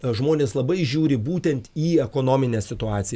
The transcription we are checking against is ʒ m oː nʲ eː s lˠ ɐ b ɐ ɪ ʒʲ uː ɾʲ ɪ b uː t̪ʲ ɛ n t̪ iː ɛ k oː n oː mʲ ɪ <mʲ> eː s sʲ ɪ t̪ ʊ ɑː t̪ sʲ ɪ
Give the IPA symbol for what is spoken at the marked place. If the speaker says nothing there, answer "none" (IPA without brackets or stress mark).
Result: nʲ